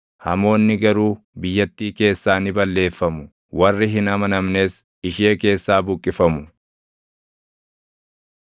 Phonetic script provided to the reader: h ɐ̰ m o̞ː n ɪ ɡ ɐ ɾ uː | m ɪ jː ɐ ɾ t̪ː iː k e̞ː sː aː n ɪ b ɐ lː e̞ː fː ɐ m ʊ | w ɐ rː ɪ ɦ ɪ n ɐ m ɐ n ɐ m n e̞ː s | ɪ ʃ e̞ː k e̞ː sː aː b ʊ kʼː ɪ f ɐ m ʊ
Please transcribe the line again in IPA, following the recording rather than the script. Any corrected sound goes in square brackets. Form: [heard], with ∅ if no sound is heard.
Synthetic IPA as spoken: h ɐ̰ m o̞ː [nː] ɪ ɡ ɐ ɾ uː | [b] ɪ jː ɐ [∅] t̪ː iː k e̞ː sː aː n ɪ b ɐ lː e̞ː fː ɐ m ʊ | w ɐ rː ɪ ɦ ɪ n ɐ m ɐ n ɐ m n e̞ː s | ɪ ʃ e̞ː k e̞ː sː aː b ʊ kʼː ɪ f ɐ m ʊ